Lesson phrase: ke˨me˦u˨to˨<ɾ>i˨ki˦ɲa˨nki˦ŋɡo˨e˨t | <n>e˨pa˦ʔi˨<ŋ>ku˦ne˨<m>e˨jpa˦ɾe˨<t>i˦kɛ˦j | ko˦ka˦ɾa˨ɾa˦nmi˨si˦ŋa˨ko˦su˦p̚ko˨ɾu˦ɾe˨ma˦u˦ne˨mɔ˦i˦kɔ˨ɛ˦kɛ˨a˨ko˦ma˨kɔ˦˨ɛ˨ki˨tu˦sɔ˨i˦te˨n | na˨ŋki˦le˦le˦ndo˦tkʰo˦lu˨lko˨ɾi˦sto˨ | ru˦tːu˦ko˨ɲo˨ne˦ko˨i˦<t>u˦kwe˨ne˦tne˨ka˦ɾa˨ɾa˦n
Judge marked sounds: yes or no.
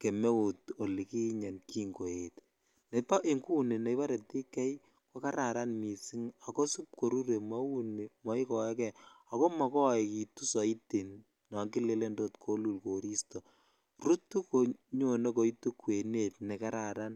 no, yes, yes, no, yes, yes

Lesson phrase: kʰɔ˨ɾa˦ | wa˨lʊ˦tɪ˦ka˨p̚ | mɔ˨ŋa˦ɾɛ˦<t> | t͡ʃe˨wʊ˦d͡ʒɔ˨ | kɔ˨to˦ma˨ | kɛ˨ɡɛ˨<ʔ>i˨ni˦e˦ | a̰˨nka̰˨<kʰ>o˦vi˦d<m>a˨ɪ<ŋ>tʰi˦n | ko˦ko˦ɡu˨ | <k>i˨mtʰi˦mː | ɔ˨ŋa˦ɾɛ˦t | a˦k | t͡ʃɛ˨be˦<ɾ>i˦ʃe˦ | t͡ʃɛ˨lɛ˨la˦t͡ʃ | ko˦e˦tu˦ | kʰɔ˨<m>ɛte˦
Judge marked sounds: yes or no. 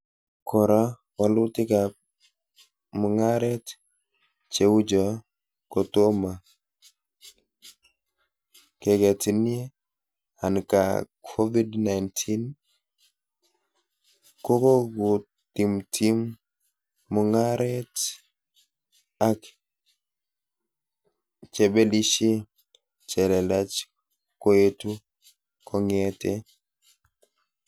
yes, no, yes, no, no, no, no, no

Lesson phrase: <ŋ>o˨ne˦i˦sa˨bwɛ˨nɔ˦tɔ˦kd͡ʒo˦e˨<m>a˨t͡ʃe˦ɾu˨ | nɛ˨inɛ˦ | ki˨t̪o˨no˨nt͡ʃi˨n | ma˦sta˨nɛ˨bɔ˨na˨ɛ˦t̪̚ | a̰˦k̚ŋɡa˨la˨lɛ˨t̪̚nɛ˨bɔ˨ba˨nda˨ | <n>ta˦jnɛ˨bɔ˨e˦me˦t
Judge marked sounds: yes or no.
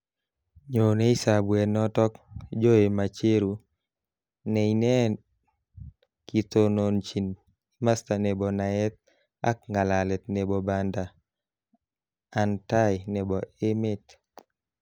no, yes, yes

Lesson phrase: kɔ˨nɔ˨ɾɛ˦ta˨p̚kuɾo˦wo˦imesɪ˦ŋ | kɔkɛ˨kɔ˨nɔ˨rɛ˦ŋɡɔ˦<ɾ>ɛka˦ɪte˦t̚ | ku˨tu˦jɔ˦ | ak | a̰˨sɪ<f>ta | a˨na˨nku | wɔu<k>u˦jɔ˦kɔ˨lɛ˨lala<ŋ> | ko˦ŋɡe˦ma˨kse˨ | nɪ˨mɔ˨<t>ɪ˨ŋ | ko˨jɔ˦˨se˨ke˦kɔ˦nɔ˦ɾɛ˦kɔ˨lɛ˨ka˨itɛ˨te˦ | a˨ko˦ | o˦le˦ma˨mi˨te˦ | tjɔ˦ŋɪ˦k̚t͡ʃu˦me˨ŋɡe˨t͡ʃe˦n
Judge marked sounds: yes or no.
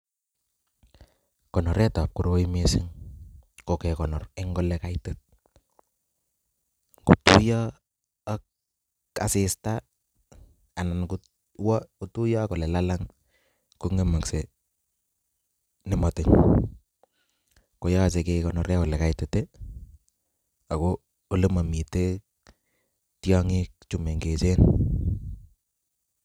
no, no, no, yes, yes

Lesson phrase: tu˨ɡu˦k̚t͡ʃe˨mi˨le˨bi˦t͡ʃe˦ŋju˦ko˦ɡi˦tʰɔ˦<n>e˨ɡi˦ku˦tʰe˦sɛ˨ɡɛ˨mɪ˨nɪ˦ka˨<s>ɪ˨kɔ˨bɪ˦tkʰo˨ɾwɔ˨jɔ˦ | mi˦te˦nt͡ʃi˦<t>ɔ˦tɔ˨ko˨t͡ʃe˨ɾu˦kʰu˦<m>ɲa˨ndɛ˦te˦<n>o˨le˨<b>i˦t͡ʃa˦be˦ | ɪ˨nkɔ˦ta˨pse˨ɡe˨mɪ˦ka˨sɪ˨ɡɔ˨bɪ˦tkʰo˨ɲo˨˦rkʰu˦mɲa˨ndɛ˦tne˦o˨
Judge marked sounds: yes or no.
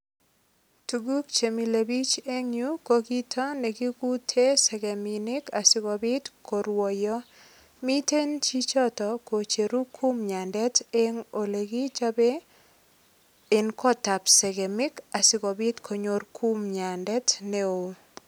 yes, yes, no, yes, no, no

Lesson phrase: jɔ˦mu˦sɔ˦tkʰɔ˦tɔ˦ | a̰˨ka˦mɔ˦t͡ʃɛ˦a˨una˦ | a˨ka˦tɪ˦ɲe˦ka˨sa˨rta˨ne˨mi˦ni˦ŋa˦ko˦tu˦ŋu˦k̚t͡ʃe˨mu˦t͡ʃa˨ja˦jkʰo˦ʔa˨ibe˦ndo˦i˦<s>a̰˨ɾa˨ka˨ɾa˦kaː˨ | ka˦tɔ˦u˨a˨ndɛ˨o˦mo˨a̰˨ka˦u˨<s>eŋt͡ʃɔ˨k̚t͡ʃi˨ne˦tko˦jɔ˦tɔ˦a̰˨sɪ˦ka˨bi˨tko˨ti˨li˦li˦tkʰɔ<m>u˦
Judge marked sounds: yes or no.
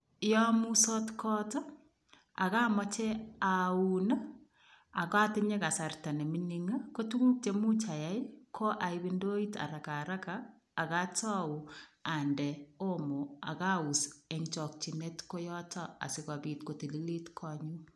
no, yes, no

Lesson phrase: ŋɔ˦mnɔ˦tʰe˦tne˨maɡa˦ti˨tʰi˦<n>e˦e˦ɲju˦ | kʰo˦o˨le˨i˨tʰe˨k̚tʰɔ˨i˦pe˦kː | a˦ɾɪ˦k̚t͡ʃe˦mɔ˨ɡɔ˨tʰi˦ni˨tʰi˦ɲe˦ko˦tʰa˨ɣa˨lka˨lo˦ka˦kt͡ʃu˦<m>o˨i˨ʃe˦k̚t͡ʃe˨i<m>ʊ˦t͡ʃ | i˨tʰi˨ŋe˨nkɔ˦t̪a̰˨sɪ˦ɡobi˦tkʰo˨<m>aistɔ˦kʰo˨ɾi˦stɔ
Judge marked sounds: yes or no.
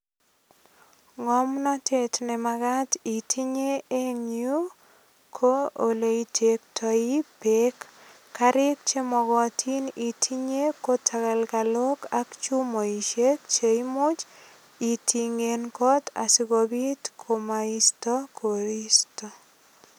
no, yes, yes, yes

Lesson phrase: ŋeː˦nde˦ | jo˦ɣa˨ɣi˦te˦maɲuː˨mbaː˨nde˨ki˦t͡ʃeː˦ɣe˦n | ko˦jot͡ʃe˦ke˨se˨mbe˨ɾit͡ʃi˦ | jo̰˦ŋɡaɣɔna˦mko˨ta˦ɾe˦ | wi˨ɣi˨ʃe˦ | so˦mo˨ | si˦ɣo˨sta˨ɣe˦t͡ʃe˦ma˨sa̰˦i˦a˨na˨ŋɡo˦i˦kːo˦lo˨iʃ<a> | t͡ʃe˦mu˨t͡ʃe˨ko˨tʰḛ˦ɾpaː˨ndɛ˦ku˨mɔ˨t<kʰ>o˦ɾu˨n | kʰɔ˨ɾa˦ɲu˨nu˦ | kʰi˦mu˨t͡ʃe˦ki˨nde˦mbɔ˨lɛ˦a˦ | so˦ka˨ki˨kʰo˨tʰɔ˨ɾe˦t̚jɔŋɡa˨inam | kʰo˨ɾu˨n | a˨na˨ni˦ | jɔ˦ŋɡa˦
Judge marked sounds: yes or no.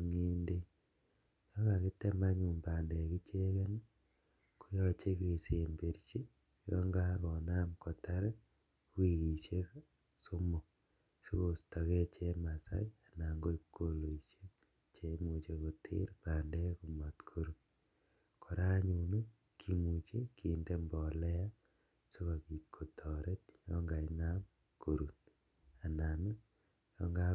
no, yes

